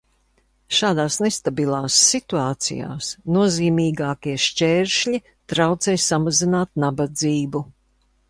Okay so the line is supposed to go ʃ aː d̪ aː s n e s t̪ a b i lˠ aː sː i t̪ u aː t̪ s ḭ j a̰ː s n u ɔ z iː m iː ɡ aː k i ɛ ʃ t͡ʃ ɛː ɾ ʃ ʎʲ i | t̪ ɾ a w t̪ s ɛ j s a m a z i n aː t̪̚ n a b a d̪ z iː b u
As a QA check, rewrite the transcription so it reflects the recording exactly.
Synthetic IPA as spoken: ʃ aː d̪ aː s n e s t̪ a b i lˠ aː sː i t̪ u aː t̪ s ḭ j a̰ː s n u ɔ z iː m iː ɡ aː k i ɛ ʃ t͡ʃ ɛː ɾ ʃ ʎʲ i | t̪ ɾ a w t̪ s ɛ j s a m a z i n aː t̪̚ n a b a d̪ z iː b u